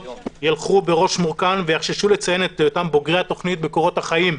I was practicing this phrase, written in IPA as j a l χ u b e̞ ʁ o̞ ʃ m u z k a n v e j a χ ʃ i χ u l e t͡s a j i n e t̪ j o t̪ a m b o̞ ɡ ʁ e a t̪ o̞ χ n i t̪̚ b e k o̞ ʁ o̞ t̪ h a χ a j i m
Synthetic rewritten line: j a l χ u b e̞ ʁ o̞ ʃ m u ʁ k a n v e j a χ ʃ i ʃ u l e t͡s a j e n e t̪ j o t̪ a m b o̞ ɡ ʁ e a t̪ o̞ χ n i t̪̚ b e k o̞ ʁ o̞ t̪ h a χ a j i m